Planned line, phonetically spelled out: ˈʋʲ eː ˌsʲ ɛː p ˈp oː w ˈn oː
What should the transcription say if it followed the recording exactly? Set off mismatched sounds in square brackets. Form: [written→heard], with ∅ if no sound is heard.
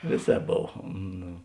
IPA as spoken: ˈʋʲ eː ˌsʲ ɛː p [ˈp→ˈb] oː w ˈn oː